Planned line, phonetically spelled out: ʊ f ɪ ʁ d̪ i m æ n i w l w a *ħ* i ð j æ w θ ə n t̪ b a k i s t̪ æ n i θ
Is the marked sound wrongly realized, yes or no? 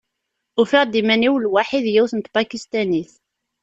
no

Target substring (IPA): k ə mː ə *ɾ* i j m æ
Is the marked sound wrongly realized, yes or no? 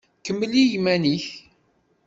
yes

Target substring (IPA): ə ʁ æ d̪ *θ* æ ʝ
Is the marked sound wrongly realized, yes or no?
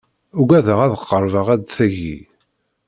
no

